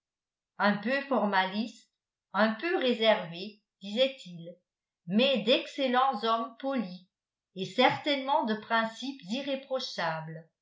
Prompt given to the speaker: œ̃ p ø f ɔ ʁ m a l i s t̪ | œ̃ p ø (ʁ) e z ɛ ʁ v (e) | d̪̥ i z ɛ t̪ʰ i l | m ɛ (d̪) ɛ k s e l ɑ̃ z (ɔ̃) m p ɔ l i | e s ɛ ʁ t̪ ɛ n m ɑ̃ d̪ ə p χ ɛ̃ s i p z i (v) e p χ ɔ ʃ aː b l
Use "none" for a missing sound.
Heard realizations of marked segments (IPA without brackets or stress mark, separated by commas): ʁ, e, d̪, ɔ, ʁ